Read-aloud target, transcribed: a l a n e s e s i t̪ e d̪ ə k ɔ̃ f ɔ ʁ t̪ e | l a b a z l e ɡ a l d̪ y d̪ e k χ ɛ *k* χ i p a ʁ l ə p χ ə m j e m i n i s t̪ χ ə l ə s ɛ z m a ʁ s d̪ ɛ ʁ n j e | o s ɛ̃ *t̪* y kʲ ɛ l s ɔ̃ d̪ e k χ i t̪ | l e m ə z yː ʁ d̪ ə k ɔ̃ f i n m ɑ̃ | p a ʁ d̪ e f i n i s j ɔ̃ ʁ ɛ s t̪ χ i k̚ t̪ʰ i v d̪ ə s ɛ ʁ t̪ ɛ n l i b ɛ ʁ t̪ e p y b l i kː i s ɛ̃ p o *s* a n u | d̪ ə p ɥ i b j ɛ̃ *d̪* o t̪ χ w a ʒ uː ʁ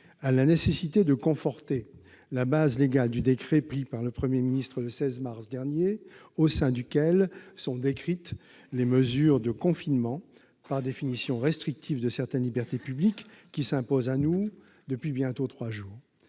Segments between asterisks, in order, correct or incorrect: incorrect: p, incorrect: d̪, incorrect: z, incorrect: t̪

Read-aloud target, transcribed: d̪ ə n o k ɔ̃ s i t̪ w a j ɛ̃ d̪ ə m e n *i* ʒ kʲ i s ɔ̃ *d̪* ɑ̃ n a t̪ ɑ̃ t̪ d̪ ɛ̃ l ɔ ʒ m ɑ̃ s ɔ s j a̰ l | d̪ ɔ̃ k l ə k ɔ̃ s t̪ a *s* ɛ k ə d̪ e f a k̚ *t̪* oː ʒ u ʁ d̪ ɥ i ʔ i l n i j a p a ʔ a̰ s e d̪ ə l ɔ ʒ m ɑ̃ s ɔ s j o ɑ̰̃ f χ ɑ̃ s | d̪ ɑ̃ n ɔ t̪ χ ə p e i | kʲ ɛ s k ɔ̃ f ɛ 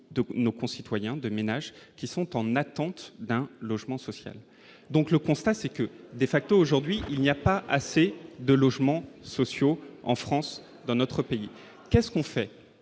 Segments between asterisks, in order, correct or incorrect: incorrect: a, incorrect: t̪, correct, correct

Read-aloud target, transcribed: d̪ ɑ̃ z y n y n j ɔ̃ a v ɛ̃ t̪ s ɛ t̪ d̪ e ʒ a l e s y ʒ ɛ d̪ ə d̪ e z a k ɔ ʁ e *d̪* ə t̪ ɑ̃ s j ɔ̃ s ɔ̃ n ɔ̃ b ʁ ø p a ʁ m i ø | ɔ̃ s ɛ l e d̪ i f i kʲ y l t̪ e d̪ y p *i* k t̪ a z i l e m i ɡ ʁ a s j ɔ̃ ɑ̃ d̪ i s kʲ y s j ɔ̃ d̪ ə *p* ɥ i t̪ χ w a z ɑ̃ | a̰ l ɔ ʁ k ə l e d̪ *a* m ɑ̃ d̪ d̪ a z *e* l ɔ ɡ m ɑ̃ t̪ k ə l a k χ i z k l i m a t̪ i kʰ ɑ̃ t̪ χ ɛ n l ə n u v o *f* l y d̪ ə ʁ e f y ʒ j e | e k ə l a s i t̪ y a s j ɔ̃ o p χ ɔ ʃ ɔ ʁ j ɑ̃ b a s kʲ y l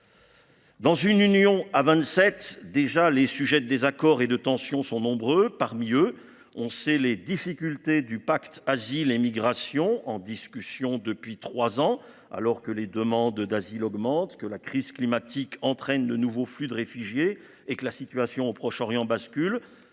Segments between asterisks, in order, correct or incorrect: correct, incorrect: a, correct, incorrect: ə, incorrect: i, correct

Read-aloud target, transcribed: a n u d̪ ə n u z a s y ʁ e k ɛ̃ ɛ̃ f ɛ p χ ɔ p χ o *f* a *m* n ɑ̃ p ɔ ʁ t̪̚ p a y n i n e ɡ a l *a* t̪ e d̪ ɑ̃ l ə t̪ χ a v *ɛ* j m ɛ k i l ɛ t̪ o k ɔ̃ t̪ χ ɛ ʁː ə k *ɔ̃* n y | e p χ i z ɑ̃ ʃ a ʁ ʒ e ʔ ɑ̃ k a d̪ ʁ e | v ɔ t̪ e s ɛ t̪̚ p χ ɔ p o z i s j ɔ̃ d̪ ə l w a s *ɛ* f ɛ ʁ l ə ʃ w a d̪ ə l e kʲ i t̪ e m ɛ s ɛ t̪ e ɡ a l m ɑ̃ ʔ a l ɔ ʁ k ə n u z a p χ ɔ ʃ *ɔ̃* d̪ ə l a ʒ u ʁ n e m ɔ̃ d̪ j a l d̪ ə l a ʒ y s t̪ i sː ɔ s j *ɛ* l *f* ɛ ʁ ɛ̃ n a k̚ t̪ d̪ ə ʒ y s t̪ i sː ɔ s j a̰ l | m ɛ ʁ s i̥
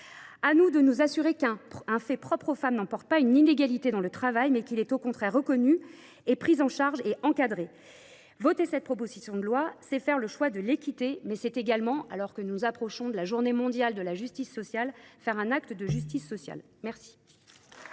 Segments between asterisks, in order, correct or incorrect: correct, correct, incorrect: i, incorrect: a, incorrect: ɔ, correct, correct, incorrect: a, correct

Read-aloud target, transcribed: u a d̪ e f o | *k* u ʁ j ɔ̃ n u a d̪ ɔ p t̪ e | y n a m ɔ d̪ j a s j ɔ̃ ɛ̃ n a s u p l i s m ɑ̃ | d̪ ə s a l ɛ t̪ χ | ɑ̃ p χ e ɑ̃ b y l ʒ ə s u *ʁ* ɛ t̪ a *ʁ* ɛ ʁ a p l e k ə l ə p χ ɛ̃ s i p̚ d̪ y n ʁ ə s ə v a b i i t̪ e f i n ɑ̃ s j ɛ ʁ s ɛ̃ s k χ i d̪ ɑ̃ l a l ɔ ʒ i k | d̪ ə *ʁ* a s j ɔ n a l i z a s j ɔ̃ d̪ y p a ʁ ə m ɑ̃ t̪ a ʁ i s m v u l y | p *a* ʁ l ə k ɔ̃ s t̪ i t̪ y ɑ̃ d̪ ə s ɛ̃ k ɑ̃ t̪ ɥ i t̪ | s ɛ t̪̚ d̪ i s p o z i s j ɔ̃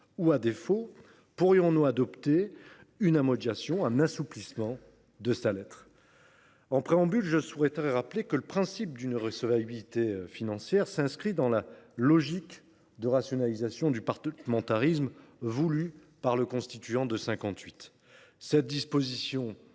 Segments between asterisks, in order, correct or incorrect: incorrect: p, correct, correct, correct, correct

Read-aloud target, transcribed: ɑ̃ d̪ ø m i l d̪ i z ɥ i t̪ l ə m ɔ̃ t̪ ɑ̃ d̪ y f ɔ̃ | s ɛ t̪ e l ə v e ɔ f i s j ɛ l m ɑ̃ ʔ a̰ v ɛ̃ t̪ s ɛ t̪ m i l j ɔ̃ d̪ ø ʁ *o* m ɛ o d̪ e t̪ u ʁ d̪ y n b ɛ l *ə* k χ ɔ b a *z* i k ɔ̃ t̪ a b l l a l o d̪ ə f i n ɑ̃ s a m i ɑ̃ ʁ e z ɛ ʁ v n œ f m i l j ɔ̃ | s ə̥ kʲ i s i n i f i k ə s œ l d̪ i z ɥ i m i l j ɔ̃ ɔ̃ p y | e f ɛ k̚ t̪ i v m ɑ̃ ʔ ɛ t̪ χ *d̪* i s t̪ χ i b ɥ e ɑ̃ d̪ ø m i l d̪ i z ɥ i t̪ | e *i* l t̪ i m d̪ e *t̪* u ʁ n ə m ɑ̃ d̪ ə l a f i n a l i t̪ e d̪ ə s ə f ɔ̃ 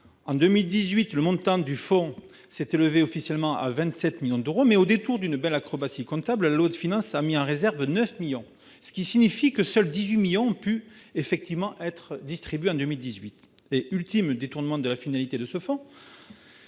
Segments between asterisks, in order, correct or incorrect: correct, incorrect: a, incorrect: s, correct, incorrect: y, correct

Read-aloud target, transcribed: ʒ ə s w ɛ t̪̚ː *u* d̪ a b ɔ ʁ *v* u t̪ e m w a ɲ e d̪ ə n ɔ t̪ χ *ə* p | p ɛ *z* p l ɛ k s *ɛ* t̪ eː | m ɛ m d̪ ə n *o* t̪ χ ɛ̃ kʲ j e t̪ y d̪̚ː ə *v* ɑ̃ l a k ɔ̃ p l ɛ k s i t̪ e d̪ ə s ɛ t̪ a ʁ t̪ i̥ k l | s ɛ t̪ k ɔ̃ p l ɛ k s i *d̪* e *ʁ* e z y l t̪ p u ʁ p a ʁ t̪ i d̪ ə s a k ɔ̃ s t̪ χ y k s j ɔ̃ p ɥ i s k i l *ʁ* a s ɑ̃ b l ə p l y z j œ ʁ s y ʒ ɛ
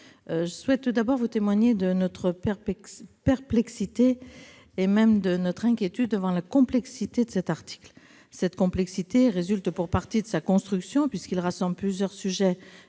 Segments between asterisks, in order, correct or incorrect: correct, correct, correct, incorrect: ʁ, incorrect: i, incorrect: ɔ, correct, incorrect: t̪, correct, correct

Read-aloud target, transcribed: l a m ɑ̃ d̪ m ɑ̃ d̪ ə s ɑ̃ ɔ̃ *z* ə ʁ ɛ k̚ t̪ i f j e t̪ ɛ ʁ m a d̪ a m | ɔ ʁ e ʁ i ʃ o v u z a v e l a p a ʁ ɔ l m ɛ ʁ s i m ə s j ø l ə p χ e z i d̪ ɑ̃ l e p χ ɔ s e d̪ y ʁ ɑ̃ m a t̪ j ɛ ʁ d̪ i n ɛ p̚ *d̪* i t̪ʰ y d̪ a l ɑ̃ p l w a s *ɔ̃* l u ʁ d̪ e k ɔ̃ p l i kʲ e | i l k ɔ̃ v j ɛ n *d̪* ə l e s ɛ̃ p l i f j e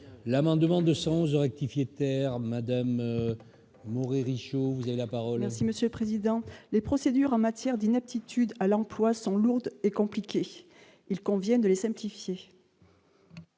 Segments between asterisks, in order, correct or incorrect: correct, incorrect: t̪, correct, correct

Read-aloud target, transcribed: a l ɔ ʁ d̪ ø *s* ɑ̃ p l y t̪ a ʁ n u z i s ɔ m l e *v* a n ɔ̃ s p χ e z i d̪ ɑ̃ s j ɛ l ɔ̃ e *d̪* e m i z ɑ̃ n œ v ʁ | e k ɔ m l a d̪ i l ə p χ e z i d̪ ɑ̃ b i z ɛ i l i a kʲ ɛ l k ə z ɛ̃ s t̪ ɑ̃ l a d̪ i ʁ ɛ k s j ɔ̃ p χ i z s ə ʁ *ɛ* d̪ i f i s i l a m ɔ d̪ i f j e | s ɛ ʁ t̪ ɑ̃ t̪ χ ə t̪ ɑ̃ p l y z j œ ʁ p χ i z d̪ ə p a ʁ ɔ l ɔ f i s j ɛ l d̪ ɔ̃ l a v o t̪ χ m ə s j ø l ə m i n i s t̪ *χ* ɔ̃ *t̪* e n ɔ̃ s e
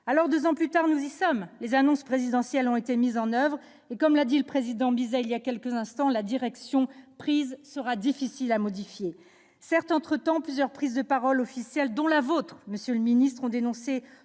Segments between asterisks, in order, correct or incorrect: incorrect: z, incorrect: z, incorrect: t̪, incorrect: a, correct, incorrect: d̪

